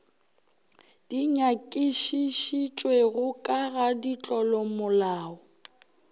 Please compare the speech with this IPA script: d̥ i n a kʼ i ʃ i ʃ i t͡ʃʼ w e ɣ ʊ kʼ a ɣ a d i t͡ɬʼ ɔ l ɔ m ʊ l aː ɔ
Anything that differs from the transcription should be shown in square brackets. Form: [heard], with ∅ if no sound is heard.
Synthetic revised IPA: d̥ i [ɲ] a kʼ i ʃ i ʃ i t͡ʃʼ w e ɣ ʊ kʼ a ɣ a d i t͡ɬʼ ɔ l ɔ m ʊ l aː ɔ